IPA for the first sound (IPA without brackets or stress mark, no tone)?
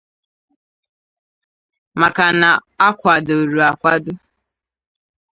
m